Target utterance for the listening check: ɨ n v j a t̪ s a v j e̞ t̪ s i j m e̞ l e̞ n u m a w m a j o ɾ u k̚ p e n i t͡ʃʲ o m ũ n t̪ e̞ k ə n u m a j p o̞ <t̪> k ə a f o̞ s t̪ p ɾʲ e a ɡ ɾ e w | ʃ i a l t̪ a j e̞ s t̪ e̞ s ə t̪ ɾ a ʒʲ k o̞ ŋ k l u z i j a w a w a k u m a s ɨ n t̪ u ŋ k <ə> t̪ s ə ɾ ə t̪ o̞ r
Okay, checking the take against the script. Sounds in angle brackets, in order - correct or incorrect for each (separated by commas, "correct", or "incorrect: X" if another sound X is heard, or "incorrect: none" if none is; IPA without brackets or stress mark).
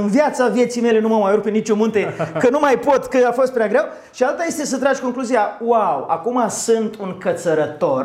correct, correct